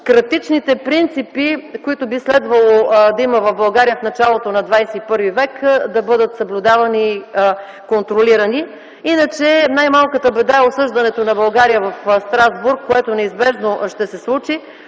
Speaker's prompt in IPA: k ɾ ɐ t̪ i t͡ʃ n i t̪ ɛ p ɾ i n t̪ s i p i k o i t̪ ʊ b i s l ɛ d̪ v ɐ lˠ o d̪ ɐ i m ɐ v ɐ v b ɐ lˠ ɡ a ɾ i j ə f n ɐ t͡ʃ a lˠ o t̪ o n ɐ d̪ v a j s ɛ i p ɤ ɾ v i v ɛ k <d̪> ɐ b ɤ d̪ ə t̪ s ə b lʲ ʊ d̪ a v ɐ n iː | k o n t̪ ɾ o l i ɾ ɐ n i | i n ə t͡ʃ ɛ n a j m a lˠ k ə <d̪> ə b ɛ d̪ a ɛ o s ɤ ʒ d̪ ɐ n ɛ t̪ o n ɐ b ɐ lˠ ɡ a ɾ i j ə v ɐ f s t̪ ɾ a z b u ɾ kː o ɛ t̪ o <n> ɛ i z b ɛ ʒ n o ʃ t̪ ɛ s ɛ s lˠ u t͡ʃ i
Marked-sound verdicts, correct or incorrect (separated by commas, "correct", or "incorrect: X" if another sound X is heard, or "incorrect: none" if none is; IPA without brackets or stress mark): correct, incorrect: t̪, correct